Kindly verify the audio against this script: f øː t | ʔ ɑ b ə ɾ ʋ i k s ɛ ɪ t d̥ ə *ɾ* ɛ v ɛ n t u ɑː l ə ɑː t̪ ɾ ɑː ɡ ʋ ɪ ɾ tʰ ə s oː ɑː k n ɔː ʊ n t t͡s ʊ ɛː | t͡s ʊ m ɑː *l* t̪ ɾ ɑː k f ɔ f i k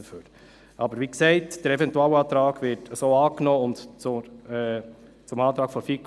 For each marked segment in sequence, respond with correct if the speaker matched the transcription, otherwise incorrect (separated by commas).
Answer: correct, incorrect